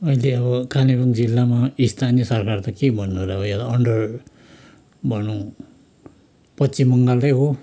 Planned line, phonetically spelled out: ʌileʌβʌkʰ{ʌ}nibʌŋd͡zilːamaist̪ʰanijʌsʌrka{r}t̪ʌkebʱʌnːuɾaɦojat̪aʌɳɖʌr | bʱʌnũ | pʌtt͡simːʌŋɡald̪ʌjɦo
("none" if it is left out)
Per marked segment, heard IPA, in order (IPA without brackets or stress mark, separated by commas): a, r